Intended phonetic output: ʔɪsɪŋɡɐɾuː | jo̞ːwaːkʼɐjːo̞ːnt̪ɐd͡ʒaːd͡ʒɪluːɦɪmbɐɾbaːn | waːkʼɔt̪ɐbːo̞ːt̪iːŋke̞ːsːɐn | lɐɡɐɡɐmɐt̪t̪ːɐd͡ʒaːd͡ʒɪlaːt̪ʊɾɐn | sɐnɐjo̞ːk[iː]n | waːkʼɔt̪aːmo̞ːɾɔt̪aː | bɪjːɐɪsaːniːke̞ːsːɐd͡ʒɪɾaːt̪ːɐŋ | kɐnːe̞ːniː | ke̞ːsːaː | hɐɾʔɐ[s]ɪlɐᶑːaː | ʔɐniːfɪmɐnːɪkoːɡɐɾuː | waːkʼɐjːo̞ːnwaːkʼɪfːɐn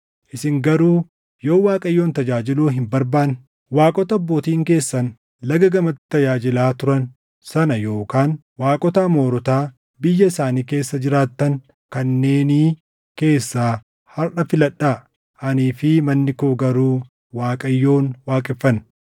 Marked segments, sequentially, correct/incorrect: incorrect, incorrect

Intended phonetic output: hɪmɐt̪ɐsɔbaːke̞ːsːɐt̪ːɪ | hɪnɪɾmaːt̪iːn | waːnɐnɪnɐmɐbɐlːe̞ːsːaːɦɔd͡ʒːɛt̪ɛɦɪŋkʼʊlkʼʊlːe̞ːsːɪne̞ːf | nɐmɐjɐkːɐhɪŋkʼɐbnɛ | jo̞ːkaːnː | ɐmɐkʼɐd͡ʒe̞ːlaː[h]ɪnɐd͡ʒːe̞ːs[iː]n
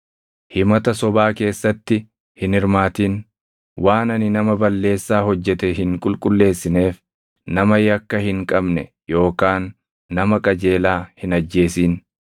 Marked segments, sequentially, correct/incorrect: correct, correct

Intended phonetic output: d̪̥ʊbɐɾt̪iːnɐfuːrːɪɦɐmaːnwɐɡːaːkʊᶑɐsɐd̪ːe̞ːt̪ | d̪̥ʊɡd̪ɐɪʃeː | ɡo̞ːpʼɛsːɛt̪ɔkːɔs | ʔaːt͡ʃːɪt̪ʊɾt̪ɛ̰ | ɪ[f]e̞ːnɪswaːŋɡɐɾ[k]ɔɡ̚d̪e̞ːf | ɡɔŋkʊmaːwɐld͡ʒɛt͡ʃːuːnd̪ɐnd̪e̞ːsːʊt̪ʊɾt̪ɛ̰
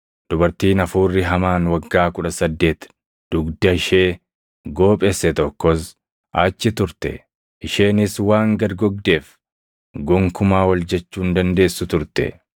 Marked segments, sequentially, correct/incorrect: incorrect, incorrect

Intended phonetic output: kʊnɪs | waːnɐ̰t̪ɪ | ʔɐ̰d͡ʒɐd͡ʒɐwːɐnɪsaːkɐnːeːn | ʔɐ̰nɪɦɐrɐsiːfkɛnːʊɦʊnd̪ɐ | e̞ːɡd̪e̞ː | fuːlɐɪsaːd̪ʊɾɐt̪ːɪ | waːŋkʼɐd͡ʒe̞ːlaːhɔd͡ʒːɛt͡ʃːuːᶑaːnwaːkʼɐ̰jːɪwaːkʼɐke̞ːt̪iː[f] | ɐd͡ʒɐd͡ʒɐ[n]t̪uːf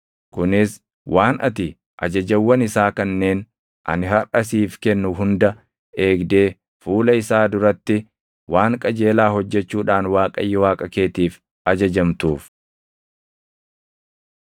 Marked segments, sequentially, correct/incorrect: correct, incorrect

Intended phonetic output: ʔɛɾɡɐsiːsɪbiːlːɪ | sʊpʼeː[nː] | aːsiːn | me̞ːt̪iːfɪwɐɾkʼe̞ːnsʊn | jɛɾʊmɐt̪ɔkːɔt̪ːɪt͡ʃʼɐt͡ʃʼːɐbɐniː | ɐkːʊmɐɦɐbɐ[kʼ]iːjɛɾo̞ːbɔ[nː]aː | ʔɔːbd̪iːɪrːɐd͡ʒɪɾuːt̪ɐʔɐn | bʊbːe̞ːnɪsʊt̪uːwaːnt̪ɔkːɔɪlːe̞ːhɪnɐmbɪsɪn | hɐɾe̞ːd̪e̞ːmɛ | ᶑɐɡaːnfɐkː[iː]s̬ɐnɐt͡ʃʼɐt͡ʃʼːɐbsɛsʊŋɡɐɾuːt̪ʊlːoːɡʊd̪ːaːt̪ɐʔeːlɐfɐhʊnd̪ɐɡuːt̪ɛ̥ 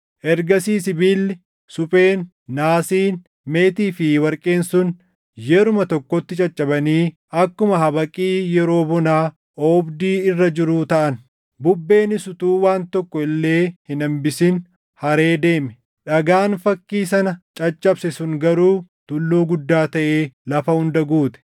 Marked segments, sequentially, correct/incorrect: correct, correct, incorrect, correct

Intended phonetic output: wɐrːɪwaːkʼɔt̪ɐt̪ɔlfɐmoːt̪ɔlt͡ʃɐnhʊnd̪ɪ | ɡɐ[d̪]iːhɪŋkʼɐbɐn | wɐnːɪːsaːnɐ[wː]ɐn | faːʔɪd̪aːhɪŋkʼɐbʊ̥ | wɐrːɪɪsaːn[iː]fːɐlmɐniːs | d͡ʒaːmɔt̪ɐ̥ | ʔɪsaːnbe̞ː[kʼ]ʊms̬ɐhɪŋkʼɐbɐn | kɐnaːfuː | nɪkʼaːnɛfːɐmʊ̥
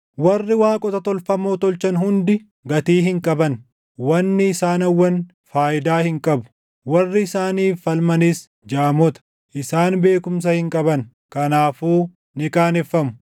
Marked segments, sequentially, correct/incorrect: incorrect, correct, correct, incorrect

